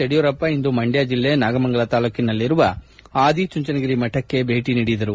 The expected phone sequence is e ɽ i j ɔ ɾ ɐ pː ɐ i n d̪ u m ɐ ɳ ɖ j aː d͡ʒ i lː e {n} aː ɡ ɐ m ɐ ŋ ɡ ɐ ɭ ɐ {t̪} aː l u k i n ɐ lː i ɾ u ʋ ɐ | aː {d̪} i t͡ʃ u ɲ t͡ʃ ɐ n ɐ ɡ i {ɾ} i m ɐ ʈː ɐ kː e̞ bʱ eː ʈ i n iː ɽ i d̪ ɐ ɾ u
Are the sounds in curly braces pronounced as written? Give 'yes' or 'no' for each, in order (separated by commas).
yes, yes, yes, yes